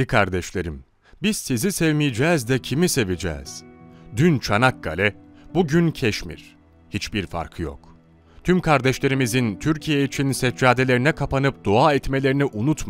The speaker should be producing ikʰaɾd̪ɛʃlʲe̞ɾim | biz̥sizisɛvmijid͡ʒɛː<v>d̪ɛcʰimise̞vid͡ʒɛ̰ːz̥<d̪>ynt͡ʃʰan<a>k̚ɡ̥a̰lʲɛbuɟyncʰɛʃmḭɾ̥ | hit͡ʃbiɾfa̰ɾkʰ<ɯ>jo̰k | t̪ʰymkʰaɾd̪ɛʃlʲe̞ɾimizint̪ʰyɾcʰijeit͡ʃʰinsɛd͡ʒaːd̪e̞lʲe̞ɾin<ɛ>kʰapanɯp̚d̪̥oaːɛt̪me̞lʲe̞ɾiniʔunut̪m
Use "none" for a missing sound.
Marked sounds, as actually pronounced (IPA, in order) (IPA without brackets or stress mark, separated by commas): z, d̪, a, ɯ, ɛ